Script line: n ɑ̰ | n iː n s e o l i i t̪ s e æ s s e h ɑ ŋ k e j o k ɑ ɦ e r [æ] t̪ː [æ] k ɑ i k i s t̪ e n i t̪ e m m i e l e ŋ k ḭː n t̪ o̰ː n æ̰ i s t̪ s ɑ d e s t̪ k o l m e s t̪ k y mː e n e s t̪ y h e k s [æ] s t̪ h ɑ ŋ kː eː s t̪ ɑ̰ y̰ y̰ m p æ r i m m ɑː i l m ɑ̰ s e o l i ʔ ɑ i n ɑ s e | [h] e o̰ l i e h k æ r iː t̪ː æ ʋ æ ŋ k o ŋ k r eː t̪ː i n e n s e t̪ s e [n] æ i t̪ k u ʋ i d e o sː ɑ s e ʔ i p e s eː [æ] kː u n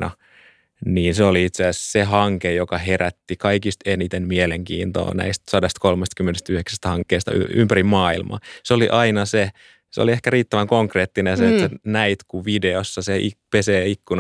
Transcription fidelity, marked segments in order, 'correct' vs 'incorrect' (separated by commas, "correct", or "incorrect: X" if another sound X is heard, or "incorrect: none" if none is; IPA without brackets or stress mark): correct, incorrect: i, correct, incorrect: s, correct, incorrect: i